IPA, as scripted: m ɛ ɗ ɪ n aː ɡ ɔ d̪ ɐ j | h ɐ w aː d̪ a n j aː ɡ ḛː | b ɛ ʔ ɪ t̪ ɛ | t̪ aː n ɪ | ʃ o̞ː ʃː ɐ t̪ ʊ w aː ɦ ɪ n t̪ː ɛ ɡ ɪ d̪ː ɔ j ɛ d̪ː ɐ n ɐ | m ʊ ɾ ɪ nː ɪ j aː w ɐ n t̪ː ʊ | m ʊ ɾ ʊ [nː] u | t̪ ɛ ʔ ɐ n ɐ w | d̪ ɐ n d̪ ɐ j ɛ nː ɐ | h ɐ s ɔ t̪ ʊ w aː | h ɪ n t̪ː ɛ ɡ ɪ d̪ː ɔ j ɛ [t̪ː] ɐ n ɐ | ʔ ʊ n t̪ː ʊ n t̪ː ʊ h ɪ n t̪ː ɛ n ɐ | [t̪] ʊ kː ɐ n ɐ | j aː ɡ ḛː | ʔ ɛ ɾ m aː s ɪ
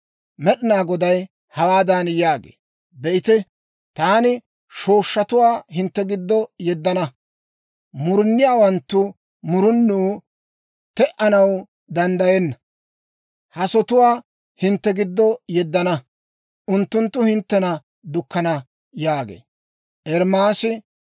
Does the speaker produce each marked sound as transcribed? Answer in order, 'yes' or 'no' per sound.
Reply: yes, no, no

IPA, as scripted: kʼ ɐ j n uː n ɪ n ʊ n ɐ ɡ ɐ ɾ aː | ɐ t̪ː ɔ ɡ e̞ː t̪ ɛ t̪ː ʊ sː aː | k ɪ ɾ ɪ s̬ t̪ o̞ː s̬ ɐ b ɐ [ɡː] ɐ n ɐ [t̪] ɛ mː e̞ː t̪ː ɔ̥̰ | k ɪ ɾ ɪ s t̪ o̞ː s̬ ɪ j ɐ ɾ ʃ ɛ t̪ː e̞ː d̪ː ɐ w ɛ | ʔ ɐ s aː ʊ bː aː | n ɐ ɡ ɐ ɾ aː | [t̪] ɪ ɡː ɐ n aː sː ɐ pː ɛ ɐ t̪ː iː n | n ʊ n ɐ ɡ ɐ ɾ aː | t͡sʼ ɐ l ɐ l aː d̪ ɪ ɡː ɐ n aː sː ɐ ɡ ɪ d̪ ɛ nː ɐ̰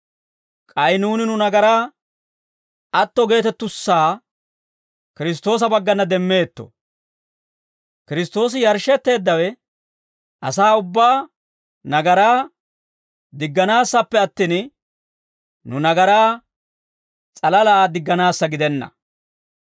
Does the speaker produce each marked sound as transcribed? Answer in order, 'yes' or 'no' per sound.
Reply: yes, no, no

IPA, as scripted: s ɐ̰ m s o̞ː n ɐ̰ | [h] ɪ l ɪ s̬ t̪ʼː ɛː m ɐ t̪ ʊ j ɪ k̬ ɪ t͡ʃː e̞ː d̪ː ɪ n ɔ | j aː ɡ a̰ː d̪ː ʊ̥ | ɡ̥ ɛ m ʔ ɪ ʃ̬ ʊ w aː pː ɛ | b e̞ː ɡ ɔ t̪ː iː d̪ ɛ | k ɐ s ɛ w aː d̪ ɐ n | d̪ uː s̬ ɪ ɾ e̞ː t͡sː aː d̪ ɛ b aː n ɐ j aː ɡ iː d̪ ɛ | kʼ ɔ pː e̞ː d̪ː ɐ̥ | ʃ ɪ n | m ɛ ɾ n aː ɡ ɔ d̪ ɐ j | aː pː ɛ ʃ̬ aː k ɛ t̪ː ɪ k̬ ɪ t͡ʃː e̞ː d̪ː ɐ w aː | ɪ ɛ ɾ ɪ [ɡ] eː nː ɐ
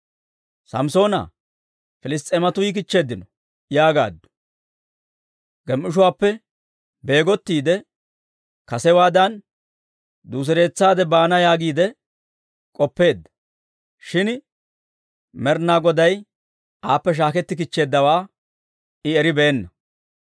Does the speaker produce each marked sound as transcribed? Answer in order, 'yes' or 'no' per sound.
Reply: no, no

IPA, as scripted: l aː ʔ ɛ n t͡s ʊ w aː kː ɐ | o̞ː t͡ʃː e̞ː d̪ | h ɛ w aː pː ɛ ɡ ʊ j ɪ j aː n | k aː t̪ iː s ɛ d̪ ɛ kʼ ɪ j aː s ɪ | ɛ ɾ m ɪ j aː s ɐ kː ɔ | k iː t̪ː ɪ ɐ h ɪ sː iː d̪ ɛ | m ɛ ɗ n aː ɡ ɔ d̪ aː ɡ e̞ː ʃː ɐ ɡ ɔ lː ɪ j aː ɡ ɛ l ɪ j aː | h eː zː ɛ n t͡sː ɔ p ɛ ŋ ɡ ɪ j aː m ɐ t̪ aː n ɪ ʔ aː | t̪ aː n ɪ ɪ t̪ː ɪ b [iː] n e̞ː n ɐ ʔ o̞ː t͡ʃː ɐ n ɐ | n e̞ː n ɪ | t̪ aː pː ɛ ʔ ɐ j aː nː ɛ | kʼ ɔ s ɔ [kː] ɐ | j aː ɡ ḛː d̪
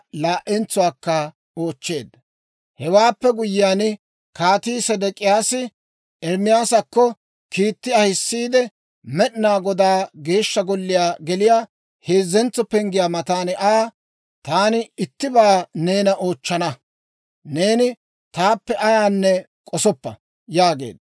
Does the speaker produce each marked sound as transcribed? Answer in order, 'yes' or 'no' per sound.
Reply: no, no

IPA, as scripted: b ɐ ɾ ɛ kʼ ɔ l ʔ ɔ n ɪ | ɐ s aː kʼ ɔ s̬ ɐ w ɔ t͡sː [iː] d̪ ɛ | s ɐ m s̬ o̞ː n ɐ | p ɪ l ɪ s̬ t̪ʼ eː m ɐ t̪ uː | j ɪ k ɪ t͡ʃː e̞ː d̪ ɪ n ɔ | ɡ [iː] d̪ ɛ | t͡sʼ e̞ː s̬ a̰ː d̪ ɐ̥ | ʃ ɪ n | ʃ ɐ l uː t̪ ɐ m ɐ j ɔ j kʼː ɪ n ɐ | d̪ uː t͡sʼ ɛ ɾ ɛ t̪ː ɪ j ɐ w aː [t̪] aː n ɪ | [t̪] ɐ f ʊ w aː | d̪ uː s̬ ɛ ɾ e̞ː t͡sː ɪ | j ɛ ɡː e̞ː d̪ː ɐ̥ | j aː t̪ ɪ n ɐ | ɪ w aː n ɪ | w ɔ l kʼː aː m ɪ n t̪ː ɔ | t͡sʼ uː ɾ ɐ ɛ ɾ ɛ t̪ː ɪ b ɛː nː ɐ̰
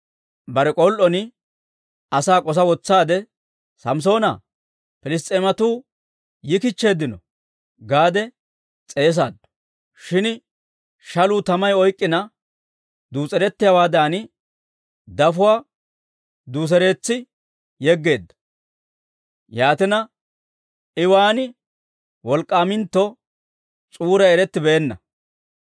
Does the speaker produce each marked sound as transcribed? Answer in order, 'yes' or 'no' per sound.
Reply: no, no, no, no

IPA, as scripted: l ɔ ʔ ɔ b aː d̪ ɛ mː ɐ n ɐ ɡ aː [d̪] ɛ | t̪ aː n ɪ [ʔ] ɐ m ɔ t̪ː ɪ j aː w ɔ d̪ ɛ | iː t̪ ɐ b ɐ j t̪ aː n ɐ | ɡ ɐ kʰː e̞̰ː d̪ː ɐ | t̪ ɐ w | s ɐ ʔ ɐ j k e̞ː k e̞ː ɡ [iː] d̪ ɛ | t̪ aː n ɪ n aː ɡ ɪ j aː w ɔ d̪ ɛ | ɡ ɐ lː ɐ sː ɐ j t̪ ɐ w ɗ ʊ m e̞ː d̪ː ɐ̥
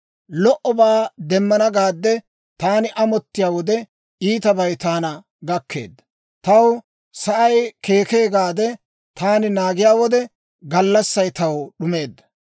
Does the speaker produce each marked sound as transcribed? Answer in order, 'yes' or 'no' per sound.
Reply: no, yes, no

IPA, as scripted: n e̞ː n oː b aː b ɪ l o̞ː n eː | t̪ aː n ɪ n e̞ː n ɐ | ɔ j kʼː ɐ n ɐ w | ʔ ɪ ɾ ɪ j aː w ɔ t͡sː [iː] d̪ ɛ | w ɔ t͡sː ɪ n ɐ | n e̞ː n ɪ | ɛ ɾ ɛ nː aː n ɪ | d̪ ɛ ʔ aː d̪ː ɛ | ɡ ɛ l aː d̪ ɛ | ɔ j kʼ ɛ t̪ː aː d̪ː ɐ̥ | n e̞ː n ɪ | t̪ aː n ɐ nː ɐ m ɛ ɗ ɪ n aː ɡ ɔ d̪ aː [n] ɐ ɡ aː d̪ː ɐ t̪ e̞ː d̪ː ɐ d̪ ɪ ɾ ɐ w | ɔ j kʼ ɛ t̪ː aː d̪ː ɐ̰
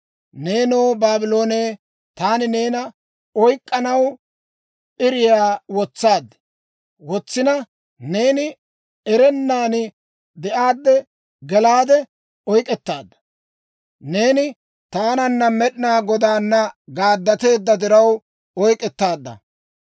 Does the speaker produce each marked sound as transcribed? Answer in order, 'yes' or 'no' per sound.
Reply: no, no

